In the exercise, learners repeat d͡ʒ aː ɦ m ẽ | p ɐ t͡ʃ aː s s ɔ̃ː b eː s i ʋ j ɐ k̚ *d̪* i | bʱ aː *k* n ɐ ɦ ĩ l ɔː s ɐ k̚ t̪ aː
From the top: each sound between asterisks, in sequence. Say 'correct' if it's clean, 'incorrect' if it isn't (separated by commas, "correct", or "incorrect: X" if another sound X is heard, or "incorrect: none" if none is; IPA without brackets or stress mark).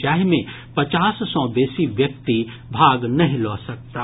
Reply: incorrect: t̪, incorrect: ɡ